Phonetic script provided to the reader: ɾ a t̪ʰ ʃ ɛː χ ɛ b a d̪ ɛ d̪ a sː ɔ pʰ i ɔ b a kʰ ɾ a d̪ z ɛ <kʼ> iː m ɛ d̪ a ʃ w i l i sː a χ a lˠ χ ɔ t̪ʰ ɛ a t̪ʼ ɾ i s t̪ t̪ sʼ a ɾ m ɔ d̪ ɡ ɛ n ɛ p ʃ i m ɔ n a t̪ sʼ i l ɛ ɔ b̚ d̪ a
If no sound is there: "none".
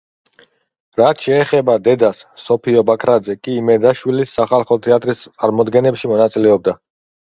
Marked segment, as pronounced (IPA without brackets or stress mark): kʼ